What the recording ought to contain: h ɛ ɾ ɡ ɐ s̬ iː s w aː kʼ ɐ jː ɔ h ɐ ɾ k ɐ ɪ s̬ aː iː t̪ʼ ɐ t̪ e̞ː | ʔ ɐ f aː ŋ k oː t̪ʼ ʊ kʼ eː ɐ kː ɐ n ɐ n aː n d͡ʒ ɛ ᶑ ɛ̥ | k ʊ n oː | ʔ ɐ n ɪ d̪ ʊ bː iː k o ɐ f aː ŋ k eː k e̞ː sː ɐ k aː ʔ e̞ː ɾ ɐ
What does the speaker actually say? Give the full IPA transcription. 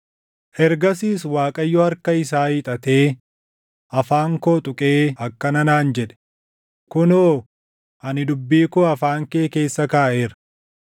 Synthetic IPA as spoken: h ɛ ɾ ɡ ɐ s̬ iː s w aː kʼ ɐ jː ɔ h ɐ ɾ k ɐ ɪ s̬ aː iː t̪ʼ ɐ t̪ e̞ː | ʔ ɐ f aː ŋ k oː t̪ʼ ʊ kʼ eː ɐ kː ɐ n ɐ n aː n d͡ʒ ɛ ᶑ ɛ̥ | k ʊ n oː | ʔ ɐ n ɪ d̪ ʊ bː iː k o ɐ f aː ŋ k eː k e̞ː sː ɐ k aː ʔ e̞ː ɾ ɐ